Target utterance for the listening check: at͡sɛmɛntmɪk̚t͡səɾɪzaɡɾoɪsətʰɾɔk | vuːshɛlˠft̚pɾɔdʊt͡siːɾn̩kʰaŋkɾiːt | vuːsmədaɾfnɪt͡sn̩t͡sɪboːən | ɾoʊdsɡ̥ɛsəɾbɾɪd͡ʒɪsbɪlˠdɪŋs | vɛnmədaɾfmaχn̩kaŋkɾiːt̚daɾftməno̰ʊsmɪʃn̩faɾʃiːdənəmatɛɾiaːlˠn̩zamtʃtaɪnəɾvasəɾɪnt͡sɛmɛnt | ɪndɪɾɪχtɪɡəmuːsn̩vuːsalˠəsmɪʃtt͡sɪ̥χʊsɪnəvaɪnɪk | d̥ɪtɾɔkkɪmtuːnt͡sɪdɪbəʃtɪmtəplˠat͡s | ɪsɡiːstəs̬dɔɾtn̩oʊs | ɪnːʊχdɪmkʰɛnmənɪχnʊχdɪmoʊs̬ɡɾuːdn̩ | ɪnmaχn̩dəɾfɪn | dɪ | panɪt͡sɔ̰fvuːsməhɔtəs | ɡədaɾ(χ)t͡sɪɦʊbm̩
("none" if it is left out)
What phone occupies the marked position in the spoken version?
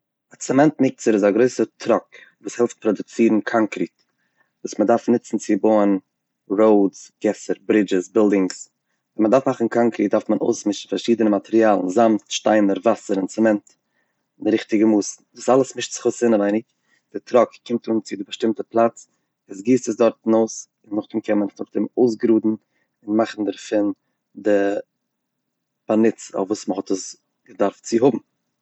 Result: f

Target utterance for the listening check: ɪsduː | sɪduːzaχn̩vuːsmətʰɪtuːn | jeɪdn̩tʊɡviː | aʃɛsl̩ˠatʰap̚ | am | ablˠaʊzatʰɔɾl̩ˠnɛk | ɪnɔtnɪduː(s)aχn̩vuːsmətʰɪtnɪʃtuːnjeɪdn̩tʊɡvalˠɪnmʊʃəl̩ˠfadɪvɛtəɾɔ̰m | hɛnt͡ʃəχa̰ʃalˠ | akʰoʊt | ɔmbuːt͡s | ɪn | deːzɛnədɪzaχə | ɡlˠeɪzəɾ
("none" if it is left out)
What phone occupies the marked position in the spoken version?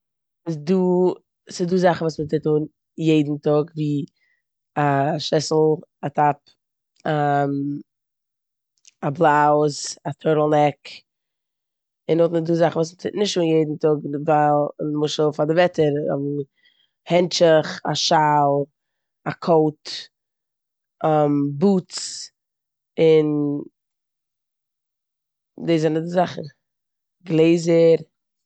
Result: z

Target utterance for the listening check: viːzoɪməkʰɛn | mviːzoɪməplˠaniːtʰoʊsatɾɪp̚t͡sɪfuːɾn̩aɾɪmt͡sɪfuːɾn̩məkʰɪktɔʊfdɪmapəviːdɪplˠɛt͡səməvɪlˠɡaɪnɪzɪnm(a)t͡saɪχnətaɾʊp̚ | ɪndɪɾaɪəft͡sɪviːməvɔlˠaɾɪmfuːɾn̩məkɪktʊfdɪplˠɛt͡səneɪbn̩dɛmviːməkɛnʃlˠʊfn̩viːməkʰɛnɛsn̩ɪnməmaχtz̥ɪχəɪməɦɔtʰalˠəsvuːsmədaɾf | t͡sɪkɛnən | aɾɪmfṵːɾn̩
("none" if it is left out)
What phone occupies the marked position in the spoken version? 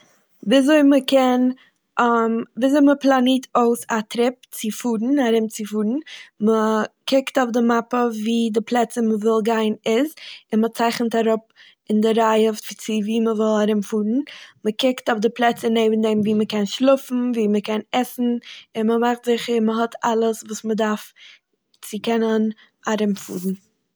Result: ə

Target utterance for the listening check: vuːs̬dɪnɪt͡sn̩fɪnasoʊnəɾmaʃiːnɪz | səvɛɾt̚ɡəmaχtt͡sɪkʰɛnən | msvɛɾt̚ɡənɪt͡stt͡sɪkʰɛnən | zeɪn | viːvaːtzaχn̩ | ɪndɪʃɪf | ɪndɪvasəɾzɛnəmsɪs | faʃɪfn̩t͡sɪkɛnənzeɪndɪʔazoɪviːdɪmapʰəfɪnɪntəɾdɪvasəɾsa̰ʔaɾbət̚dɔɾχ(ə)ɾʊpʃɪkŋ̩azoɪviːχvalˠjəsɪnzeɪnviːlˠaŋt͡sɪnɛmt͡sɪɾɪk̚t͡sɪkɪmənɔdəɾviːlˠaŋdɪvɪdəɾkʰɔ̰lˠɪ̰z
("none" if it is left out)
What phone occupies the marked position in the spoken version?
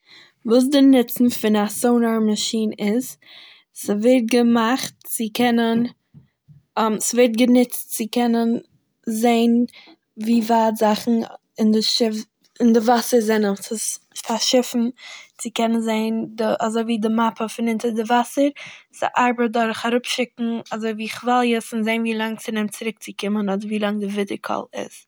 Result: a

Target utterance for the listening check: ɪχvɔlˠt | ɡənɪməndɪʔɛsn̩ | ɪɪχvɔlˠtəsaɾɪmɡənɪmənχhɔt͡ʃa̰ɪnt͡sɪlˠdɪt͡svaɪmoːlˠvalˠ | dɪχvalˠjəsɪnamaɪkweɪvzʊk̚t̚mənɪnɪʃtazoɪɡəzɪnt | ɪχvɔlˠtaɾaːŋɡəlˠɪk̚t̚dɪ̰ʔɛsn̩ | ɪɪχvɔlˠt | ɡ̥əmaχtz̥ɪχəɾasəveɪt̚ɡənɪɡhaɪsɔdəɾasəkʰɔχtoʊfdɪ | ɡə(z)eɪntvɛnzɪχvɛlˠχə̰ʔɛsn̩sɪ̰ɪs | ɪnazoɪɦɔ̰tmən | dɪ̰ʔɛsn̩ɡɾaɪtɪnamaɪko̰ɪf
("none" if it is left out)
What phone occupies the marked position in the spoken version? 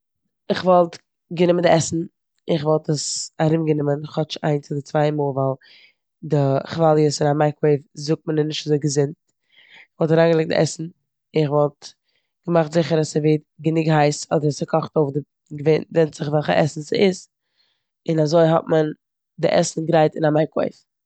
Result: v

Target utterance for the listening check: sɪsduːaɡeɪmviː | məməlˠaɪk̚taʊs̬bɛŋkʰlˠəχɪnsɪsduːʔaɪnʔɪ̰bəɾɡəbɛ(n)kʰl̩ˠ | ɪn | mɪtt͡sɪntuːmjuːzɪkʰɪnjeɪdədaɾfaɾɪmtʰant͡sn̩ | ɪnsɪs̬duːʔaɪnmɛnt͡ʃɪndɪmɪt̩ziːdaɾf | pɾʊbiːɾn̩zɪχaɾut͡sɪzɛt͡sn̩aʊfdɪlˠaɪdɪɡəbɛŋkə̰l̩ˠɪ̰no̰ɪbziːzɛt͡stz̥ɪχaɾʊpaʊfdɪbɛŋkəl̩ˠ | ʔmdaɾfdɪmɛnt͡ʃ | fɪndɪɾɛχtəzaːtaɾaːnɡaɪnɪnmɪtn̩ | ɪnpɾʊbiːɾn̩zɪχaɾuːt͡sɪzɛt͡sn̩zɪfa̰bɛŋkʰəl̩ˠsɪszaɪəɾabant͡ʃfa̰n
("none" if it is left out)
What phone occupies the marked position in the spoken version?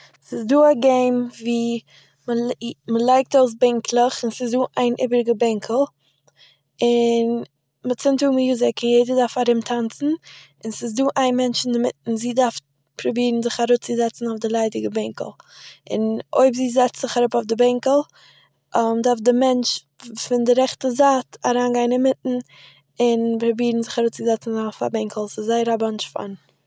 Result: ŋ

